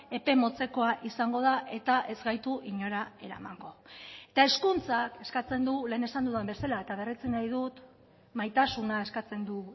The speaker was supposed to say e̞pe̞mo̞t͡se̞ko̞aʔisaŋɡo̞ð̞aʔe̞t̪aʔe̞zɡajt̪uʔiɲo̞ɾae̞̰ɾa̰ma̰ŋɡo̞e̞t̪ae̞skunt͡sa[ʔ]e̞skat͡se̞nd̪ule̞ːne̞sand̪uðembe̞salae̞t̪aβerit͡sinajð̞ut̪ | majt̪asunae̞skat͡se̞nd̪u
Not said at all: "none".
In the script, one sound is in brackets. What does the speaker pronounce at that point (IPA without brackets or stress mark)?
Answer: k